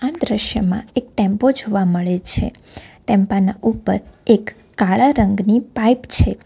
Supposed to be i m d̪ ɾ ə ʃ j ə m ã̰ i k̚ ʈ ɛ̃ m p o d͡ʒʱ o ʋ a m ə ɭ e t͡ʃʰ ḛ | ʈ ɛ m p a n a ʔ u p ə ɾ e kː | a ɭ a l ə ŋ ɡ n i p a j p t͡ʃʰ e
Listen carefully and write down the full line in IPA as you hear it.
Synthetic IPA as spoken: a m d̪ ɾ ə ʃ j ə m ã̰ e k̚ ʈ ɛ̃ m p o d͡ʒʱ o ʋ a m ə ɭ e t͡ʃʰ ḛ | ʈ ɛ m p a n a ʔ u p ə ɾ e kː | a ɭ a ɾ ə ŋ ɡ n i p a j p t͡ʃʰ e